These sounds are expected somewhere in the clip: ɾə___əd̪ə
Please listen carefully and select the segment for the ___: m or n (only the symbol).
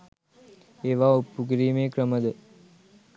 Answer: m